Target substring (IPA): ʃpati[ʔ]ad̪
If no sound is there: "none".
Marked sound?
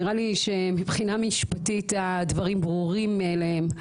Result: t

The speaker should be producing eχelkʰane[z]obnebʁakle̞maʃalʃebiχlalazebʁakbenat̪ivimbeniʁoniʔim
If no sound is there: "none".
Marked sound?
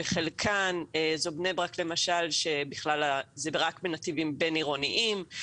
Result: z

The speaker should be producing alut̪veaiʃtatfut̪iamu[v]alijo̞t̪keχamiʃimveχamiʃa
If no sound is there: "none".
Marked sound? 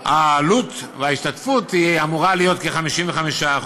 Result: ʁ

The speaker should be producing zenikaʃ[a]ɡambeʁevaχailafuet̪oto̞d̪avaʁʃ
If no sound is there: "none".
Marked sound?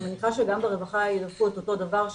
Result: e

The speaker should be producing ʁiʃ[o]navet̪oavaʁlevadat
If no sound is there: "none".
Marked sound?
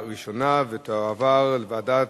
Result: o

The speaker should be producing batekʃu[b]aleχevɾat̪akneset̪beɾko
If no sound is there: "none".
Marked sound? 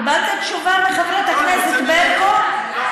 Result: v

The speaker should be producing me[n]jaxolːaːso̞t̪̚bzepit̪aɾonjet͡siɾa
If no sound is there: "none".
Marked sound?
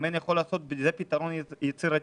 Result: n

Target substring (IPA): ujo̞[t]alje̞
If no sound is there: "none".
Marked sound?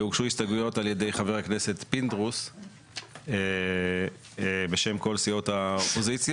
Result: t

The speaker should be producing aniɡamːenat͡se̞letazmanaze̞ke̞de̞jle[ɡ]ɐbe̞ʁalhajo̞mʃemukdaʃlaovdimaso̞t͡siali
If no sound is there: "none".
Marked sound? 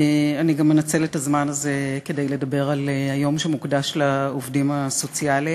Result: d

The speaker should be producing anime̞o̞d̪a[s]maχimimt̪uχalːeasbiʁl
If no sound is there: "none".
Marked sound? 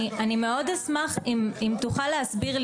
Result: s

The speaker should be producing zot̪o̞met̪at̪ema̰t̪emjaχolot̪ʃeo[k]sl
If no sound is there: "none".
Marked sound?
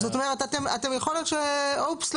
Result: p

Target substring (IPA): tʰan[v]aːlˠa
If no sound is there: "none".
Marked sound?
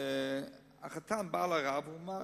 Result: b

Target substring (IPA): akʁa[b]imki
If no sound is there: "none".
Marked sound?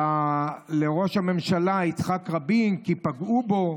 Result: b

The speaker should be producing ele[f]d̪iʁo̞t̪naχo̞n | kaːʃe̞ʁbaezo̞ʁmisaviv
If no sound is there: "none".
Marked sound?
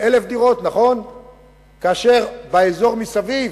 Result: f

